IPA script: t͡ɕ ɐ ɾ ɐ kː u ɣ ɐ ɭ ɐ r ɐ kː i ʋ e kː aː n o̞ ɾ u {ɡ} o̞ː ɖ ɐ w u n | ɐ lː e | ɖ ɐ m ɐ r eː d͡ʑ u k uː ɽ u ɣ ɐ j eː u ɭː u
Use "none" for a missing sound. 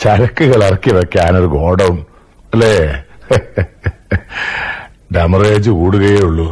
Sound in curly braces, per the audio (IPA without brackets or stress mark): ɡ